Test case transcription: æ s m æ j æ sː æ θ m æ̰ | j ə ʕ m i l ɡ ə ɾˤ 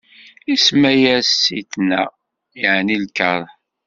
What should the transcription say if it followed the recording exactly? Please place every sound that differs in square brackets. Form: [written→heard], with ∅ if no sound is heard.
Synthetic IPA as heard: [æ→i] s m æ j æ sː [æ→i] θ [m→n] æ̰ | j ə ʕ [m→n] i l [ɡ→k] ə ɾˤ